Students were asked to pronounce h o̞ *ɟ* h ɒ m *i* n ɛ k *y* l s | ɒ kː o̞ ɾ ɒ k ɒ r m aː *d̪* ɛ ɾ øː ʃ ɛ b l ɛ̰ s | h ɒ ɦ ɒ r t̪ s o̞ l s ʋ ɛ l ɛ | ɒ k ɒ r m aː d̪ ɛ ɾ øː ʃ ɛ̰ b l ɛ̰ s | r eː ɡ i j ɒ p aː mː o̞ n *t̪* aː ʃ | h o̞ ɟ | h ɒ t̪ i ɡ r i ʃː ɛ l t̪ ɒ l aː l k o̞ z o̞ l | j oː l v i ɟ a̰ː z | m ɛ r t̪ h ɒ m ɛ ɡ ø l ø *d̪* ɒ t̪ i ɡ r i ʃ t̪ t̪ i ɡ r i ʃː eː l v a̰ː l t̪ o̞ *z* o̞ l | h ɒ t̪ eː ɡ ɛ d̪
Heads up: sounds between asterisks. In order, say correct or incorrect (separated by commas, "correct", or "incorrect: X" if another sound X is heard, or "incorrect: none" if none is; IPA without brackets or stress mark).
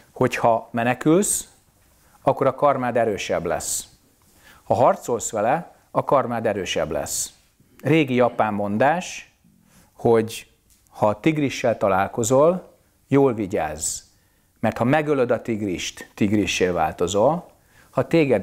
incorrect: c, incorrect: ɛ, correct, correct, incorrect: d̪, correct, correct